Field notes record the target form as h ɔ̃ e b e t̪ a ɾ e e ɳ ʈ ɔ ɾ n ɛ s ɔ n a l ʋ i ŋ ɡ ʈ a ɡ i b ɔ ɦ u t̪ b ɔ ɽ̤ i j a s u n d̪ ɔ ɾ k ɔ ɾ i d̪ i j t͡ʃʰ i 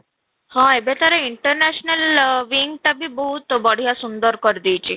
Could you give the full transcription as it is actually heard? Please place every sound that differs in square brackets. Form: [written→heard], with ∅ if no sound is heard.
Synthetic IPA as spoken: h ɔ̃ e b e t̪ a ɾ e [e→i] ɳ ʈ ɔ ɾ n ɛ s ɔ n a l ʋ i ŋ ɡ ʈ a [ɡ→b] i b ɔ ɦ u t̪ b ɔ ɽ̤ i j a s u n d̪ ɔ ɾ k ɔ ɾ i d̪ i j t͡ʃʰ i